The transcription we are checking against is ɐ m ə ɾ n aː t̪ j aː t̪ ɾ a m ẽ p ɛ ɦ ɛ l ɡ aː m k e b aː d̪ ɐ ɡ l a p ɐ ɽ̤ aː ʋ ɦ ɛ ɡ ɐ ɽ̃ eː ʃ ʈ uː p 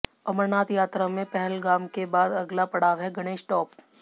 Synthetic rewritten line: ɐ m ə ɾ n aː t̪ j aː t̪ ɾ a m ẽ p ɛ ɦ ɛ l ɡ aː m k e b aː d̪ ɐ ɡ l a p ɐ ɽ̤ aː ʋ ɦ ɛ ɡ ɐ ɽ̃ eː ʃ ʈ ɔː p